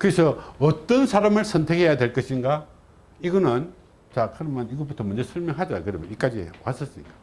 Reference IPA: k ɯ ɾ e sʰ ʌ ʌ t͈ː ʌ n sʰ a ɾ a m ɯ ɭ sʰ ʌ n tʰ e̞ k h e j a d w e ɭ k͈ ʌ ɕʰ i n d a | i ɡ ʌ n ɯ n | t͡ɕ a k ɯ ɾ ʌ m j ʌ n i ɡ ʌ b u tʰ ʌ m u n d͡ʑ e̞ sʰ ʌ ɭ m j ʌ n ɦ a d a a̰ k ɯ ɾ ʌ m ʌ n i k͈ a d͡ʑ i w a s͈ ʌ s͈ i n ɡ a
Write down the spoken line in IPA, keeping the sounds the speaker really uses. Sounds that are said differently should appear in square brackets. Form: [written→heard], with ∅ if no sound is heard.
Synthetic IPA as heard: k ɯ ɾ e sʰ ʌ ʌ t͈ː ʌ n sʰ a ɾ a m ɯ ɭ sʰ ʌ n tʰ e̞ k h e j a d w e ɭ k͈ ʌ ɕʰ i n [d→ɡ] a | i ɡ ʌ n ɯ n | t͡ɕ a k ɯ ɾ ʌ m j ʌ n i ɡ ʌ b u tʰ ʌ m u n d͡ʑ e̞ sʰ ʌ ɭ m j ʌ [n→ŋ] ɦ a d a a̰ k ɯ ɾ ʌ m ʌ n i k͈ a d͡ʑ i w a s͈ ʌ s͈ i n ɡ a